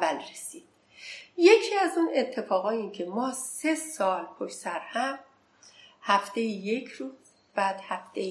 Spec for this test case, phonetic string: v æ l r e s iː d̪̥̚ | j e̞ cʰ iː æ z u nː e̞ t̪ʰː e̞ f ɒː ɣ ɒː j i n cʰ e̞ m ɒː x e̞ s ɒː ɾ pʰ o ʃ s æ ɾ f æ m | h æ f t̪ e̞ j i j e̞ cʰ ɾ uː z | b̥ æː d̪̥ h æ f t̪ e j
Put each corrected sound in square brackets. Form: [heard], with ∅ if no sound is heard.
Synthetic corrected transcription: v æ l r e s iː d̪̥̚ | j e̞ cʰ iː æ z u [n] e̞ t̪ʰː e̞ f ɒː ɣ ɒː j i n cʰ e̞ m ɒː [s] e̞ s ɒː [l] pʰ o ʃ s æ ɾ [h] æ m | h æ f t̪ e̞ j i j e̞ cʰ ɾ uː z | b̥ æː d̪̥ h æ f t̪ e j